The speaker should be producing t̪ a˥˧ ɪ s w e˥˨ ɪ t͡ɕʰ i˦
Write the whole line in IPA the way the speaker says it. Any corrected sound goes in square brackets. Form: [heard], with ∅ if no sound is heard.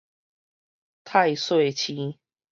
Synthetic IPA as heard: [t̪ʰ] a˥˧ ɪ s w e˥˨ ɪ t͡ɕʰ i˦

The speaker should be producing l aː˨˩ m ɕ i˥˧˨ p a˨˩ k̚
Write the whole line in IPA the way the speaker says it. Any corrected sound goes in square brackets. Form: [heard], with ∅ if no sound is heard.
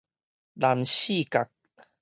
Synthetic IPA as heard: l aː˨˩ m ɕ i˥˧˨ [k] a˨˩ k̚

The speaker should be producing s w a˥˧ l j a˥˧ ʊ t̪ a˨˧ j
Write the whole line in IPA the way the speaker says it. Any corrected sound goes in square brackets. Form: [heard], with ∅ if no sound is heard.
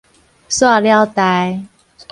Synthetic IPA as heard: s w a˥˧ l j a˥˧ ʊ t̪ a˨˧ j

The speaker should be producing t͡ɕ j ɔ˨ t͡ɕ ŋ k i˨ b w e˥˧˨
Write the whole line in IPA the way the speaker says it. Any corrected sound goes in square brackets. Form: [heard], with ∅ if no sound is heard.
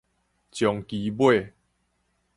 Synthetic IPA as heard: t͡ɕ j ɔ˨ [∅] ŋ k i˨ b w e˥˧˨

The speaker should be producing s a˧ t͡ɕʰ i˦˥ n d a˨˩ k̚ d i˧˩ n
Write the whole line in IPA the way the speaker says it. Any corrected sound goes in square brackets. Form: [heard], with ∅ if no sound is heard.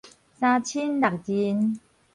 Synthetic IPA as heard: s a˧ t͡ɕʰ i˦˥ n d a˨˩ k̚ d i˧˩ n

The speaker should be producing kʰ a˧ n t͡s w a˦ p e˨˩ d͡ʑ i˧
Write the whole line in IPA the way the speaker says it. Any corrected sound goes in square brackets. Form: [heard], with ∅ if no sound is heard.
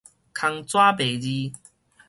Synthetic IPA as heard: kʰ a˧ [ŋ] t͡s w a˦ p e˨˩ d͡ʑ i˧

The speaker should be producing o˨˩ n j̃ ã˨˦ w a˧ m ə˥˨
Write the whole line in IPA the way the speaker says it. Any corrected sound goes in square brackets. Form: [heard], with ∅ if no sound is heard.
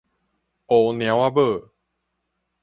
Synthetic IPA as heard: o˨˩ n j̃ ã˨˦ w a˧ [b] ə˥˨

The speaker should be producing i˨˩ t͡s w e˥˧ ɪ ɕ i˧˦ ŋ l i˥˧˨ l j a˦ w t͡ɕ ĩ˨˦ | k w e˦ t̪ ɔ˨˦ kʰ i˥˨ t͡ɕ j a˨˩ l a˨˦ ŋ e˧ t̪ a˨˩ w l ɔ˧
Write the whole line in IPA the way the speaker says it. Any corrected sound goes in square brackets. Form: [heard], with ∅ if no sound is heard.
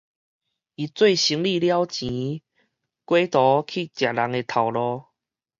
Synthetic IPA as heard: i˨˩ t͡s w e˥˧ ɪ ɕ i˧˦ ŋ l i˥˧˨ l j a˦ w t͡ɕ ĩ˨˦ | k w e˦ t̪ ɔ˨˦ kʰ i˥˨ t͡ɕ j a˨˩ l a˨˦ ŋ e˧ [t̪ʰ] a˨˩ w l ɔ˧

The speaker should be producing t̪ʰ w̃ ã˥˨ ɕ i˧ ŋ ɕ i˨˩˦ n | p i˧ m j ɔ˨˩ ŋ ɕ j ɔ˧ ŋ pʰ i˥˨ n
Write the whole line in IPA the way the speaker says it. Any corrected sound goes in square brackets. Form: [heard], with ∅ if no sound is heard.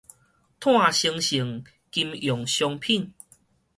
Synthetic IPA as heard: t̪ʰ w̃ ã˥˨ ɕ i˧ ŋ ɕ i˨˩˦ [ŋ] | [k] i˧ m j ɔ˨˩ ŋ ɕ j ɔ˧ ŋ pʰ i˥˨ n

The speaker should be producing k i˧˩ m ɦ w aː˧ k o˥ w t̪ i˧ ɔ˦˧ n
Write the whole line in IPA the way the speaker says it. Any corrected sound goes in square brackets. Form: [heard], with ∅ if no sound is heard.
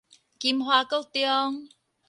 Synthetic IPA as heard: k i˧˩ m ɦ w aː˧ k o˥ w t̪ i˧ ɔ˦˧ [ŋ]

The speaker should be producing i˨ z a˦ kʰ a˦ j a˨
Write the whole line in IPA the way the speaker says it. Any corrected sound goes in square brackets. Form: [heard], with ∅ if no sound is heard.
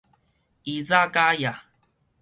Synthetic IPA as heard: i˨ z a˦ [k] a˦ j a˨

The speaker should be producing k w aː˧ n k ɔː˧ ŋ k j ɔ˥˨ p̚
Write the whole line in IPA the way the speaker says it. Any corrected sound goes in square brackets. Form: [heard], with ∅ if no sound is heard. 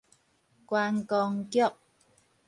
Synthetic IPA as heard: k w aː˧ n k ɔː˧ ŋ k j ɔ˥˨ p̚

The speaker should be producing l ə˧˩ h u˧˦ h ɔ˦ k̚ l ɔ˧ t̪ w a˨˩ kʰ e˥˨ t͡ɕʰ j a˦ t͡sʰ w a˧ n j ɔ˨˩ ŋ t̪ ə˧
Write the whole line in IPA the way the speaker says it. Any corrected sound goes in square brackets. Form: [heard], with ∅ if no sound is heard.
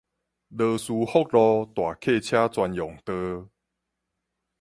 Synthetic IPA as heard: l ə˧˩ [s] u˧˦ h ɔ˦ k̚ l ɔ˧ t̪ w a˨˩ kʰ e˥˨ t͡ɕʰ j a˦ [t͡s] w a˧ n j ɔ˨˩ ŋ t̪ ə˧

